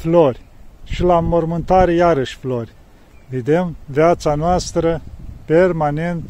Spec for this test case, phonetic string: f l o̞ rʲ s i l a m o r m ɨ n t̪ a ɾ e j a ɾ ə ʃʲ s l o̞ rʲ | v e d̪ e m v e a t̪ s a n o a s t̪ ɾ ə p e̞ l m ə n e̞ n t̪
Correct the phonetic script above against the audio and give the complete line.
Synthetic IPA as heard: f l o̞ rʲ ʃ i l a m o r m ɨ n t̪ a ɾ e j a ɾ ə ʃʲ f l o̞ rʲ | v e d̪ e m v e a t̪ s a n o a s t̪ ɾ ə p e̞ r m a n e̞ n t̪